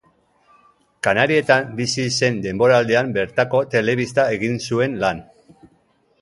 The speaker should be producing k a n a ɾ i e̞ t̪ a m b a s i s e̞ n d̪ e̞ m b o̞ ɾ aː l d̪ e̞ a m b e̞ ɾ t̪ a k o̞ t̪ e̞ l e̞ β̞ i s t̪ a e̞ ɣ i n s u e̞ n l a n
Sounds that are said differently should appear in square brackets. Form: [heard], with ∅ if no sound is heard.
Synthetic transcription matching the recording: k a n a ɾ i e̞ t̪ a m b [i] s i s e̞ n d̪ e̞ m b o̞ ɾ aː l d̪ e̞ a m b e̞ ɾ t̪ a k o̞ t̪ e̞ l e̞ β̞ i s t̪ a e̞ ɣ i n s u e̞ n l a n